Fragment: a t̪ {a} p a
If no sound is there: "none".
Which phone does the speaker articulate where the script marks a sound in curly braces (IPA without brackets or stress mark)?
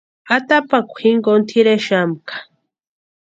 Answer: a